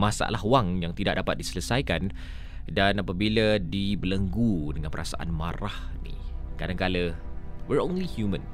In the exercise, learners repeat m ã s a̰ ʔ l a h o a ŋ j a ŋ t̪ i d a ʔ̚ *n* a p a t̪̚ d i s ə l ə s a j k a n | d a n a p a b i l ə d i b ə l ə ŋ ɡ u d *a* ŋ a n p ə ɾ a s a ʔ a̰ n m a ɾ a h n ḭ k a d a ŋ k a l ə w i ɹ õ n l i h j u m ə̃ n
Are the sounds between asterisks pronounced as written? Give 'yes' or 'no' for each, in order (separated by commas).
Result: no, no